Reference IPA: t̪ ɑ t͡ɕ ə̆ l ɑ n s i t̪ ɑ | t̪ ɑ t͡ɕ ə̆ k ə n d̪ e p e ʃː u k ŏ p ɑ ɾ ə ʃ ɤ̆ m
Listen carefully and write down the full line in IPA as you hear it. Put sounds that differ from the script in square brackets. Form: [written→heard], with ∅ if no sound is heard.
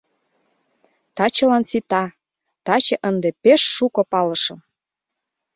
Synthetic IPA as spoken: t̪ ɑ t͡ɕ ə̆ l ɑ n s i t̪ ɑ | t̪ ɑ t͡ɕ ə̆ [k→ʔ] ə n d̪ e p e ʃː u k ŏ p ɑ [ɾ→l] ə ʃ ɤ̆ m